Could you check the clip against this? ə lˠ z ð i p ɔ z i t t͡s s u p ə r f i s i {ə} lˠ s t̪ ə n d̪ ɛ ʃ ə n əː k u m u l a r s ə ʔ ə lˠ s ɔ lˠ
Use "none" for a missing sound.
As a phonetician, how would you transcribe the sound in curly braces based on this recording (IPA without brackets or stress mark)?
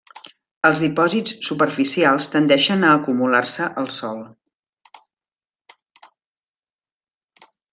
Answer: a